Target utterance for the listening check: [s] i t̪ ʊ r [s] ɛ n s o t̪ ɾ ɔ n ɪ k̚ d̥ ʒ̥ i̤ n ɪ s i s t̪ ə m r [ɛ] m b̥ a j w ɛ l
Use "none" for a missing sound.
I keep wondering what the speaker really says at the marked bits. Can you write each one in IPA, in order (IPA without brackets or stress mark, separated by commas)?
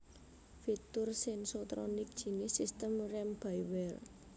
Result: f, s, ɛ